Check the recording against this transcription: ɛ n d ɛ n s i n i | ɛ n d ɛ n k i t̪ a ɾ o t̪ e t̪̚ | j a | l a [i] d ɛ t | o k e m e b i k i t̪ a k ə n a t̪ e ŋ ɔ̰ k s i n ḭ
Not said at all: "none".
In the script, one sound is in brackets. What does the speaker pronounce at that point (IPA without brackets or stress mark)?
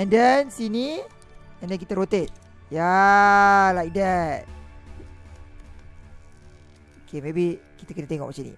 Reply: i